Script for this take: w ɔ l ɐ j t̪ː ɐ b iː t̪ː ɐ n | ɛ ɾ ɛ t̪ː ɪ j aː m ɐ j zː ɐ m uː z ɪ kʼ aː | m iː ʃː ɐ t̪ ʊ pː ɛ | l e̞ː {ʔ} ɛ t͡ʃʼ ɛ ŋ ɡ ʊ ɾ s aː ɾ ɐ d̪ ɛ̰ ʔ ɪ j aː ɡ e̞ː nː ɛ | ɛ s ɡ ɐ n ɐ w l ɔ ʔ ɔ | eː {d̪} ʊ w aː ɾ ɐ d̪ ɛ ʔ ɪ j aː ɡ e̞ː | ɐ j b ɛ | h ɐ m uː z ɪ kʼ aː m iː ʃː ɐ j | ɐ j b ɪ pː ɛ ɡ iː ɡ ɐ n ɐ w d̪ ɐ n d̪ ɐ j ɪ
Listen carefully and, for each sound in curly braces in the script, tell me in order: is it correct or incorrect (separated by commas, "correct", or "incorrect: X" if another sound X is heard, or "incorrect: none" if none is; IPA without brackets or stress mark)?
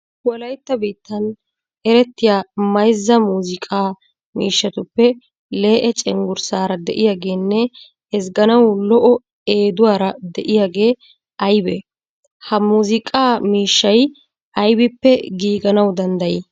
correct, correct